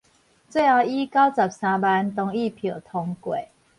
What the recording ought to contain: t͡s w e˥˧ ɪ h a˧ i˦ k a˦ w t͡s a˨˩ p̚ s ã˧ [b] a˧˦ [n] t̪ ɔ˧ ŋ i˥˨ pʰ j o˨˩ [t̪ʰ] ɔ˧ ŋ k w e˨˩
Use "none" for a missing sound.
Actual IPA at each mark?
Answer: b, n, t̪ʰ

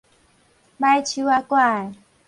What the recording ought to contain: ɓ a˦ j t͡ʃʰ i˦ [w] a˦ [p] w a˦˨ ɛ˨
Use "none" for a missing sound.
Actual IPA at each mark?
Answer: w, k

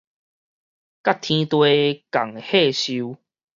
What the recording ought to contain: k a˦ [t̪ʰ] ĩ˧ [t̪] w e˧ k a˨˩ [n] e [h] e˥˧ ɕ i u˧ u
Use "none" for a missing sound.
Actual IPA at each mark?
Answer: t̪ʰ, t̪, ŋ, h

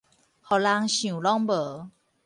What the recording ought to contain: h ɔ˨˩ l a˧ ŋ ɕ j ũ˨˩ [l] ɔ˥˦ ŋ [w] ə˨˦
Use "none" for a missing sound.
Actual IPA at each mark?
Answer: l, b

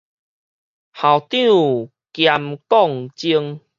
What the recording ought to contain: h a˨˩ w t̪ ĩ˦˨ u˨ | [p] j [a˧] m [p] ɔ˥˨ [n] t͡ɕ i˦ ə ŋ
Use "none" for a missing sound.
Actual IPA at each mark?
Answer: k, a˧, k, ŋ

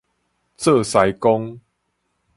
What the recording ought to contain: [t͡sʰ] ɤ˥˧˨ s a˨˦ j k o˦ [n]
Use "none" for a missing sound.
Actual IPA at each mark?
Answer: t͡s, ŋ

